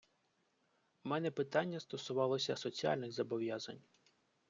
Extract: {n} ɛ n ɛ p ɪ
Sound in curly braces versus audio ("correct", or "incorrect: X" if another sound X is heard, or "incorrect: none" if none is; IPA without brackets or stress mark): incorrect: m